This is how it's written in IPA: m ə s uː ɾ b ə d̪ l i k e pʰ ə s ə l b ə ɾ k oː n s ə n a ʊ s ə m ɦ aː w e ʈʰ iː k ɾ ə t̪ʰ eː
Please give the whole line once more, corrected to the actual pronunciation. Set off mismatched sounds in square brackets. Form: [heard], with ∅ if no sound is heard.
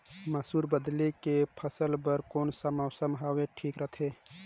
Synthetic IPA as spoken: m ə s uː ɾ b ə d̪ l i k e pʰ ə s ə l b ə ɾ k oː n s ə [m] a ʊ s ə m ɦ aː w e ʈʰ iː k ɾ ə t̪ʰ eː